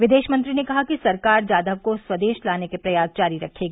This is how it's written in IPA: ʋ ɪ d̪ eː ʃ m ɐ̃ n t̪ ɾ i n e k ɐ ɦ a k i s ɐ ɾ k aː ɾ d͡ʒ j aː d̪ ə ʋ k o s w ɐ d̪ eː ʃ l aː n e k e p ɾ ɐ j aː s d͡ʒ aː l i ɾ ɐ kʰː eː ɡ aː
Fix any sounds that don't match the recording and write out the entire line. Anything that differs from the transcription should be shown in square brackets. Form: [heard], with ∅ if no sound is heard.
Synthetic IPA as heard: ʋ ɪ d̪ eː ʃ m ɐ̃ n t̪ ɾ i n e k ɐ ɦ a k i s ɐ ɾ k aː ɾ d͡ʒ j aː d̪ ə ʋ k o s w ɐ d̪ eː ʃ l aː n e k e p ɾ ɐ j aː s d͡ʒ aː [ɾ] i ɾ ɐ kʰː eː ɡ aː